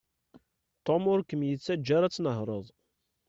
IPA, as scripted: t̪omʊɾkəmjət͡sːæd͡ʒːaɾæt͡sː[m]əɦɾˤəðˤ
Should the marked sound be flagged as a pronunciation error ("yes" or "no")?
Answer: yes